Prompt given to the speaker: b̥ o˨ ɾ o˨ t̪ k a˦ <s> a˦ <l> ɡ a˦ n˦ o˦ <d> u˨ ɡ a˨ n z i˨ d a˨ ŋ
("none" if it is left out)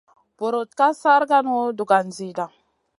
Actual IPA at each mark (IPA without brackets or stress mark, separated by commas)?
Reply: s, ɾ, d